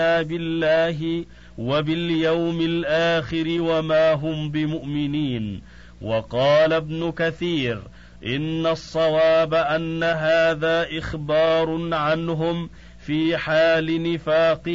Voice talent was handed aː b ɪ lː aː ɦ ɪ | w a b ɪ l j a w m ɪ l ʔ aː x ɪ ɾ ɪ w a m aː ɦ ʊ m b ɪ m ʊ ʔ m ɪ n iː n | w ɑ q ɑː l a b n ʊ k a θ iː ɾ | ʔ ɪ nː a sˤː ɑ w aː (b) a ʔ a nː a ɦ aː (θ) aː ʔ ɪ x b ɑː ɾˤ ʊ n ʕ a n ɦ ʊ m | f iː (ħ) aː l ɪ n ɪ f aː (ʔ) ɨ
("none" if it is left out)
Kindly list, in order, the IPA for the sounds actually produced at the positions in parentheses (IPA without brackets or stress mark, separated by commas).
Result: b, ð, ħ, q